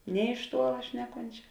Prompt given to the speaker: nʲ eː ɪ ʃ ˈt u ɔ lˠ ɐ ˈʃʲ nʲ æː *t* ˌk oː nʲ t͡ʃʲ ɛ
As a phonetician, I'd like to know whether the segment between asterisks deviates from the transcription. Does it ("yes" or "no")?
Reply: yes